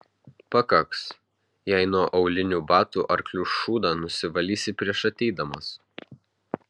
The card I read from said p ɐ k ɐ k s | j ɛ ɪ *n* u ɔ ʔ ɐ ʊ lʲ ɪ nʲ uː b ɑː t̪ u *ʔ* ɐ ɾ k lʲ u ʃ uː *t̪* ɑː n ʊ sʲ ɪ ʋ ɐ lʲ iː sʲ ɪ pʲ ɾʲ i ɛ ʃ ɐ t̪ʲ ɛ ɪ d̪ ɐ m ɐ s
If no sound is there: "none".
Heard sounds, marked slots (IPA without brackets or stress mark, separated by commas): n, ʔ, d̪